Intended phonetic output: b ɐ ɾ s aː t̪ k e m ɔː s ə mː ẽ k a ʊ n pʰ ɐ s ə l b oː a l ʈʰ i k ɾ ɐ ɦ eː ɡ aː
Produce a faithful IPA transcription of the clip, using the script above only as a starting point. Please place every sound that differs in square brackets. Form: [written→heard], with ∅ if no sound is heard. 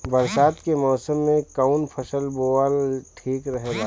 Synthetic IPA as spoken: b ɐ ɾ s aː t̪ k e m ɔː s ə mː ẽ k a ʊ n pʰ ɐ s ə l b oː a l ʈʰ [i→iː] k ɾ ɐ ɦ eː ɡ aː